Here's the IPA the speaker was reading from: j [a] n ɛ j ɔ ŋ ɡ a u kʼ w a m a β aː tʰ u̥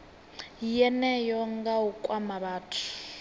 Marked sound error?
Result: yes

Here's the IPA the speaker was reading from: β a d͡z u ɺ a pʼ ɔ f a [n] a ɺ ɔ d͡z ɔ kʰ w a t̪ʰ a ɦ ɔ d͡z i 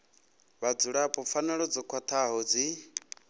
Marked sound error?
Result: no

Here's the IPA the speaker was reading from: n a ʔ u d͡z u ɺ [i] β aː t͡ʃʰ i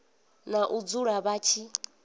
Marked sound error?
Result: yes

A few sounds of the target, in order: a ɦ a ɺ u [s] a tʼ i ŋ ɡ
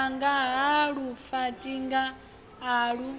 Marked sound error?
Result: yes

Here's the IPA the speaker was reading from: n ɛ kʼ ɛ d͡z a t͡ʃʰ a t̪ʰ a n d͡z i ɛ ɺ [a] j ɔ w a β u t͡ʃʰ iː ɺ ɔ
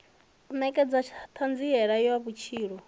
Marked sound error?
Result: no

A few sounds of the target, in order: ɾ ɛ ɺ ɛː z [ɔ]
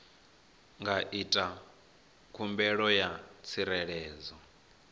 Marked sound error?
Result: no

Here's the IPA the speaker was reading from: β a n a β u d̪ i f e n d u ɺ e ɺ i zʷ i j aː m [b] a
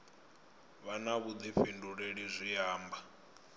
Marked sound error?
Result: no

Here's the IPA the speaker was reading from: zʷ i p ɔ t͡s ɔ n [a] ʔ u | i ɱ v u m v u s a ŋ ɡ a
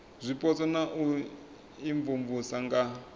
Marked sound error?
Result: no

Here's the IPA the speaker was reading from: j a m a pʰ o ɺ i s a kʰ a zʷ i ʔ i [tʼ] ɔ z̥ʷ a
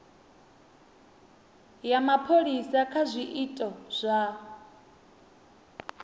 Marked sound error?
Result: no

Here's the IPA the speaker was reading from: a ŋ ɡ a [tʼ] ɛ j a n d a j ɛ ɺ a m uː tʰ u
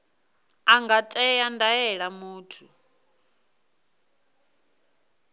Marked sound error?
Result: no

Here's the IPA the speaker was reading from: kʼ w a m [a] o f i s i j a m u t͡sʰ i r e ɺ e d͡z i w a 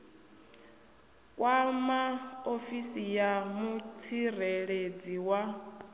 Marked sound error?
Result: no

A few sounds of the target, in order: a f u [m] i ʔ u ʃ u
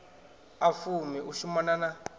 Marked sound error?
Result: no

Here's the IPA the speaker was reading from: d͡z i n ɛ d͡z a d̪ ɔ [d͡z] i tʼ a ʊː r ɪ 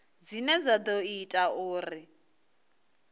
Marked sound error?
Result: yes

